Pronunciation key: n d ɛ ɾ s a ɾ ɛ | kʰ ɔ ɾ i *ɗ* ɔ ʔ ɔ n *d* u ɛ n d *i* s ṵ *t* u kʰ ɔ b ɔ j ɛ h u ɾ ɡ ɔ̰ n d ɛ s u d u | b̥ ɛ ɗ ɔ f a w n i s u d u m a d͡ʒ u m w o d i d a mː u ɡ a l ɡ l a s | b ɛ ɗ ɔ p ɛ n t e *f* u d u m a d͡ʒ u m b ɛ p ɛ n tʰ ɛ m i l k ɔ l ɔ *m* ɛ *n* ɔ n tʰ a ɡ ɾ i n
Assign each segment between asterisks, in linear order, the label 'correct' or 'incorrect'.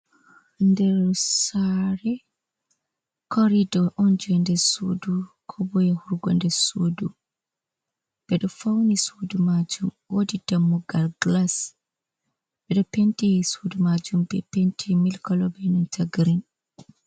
incorrect, incorrect, incorrect, incorrect, incorrect, incorrect, correct

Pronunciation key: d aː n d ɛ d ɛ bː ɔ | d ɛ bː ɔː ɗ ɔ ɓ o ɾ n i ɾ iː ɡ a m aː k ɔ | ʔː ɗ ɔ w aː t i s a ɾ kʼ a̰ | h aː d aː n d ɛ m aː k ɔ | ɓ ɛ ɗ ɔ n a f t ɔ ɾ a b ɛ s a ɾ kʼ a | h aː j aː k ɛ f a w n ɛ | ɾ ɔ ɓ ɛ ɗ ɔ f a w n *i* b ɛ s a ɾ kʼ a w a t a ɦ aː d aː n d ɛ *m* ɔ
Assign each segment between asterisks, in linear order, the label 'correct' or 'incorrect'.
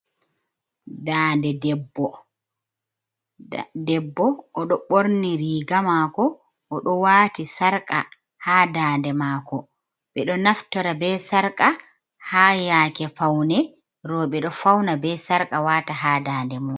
incorrect, correct

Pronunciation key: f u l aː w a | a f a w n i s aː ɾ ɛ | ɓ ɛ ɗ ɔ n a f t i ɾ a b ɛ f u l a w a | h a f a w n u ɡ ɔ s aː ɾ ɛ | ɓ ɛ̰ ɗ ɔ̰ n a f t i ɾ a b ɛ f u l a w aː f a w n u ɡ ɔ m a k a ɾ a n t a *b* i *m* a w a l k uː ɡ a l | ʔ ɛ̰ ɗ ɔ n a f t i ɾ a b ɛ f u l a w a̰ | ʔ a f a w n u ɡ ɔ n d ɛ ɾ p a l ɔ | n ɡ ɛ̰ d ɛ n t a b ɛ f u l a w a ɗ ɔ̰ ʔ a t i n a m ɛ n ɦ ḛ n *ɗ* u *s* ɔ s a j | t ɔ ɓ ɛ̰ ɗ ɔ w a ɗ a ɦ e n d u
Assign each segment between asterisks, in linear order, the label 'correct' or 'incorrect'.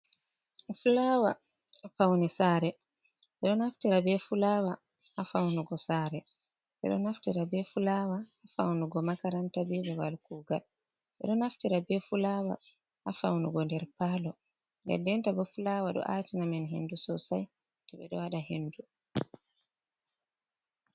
correct, incorrect, incorrect, correct

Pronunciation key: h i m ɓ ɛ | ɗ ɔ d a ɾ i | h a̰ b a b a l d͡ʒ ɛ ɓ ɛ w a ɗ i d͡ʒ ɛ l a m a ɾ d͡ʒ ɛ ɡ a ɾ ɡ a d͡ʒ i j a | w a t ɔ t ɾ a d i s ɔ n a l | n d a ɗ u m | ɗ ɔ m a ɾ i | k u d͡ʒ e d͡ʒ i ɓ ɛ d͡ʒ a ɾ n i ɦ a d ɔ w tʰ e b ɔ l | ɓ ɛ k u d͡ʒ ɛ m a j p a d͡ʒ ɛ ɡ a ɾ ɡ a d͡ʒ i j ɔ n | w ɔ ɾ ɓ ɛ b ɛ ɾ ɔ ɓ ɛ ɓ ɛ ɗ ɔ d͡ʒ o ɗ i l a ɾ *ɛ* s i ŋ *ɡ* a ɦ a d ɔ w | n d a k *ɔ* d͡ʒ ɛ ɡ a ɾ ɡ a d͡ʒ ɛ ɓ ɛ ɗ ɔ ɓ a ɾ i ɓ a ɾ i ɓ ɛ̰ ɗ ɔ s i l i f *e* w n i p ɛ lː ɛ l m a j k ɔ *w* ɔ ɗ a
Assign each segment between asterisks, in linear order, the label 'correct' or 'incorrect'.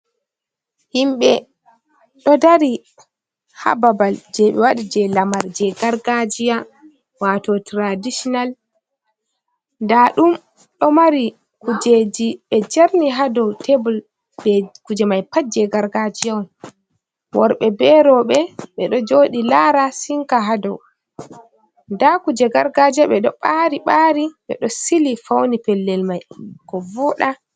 incorrect, incorrect, incorrect, incorrect, incorrect

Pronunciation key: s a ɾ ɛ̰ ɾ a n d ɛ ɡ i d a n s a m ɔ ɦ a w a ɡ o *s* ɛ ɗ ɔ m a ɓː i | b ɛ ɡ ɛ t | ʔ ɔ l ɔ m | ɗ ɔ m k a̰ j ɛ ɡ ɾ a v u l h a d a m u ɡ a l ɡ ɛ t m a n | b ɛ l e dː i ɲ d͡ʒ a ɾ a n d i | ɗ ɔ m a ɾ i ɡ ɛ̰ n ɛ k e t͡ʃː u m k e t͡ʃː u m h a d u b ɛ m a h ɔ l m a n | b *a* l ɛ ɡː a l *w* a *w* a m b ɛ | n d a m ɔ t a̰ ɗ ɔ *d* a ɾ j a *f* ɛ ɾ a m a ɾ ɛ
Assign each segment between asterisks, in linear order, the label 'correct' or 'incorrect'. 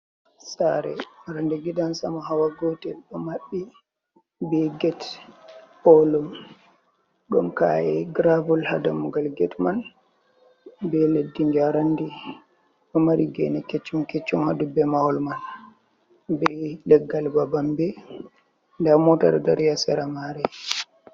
incorrect, incorrect, incorrect, incorrect, correct, incorrect

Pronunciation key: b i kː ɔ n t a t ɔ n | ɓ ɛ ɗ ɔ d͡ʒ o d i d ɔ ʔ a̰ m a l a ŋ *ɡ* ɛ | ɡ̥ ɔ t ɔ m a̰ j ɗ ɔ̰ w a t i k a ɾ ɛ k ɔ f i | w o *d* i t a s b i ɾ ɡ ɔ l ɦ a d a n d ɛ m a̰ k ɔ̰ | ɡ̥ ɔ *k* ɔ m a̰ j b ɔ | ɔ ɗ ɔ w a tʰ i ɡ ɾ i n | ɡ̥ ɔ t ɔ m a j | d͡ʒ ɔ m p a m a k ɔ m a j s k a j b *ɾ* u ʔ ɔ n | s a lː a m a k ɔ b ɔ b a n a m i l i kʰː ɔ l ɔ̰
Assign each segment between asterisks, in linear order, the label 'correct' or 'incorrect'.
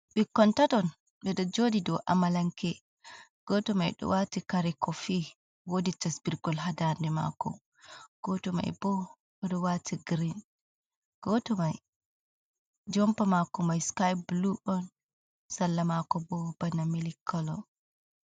incorrect, correct, incorrect, incorrect

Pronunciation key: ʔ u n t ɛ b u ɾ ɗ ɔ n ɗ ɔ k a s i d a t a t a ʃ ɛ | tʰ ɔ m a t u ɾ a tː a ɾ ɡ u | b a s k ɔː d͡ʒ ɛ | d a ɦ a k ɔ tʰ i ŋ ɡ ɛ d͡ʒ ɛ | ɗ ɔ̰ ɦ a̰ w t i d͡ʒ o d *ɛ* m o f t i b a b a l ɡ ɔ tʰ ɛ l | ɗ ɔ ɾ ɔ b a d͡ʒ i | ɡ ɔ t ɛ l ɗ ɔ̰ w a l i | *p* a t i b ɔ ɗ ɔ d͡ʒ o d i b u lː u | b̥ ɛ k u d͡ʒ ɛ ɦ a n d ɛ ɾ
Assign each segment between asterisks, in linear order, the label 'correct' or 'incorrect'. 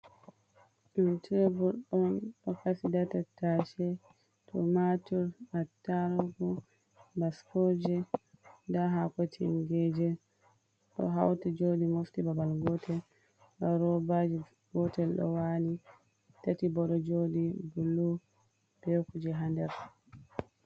incorrect, incorrect

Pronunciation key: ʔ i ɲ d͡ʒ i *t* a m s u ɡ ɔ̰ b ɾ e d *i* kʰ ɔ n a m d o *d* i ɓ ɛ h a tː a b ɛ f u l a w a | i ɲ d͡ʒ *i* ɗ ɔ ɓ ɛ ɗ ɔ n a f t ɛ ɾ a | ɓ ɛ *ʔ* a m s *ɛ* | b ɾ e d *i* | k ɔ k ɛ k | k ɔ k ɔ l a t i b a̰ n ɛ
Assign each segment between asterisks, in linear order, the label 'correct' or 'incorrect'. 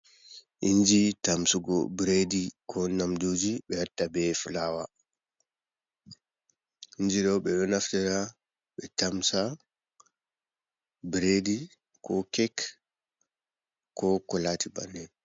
correct, correct, incorrect, correct, incorrect, incorrect, correct

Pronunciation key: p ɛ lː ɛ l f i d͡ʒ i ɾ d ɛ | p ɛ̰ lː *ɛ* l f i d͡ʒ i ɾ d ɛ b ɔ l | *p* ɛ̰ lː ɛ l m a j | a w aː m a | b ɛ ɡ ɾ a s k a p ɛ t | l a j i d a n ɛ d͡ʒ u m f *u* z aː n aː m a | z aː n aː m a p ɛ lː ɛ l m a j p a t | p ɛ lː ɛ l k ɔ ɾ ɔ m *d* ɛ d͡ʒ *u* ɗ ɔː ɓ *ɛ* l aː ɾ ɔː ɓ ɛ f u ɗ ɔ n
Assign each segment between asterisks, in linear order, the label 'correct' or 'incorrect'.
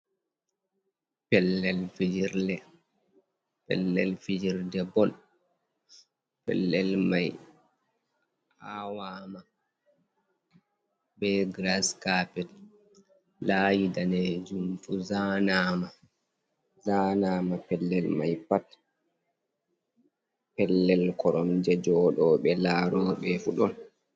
correct, correct, correct, incorrect, incorrect, correct

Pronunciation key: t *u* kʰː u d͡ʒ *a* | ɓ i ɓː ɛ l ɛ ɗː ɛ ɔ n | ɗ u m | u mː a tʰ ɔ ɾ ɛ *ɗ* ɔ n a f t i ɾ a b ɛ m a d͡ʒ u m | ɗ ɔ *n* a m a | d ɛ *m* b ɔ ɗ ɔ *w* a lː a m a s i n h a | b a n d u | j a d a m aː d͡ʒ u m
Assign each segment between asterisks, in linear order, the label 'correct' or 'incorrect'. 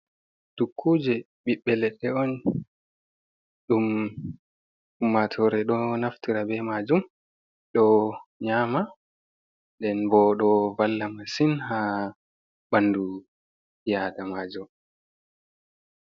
correct, incorrect, correct, incorrect, incorrect, incorrect

